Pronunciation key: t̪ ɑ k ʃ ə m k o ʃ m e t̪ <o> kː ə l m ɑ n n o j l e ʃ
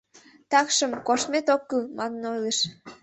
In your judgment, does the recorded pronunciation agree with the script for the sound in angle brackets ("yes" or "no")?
yes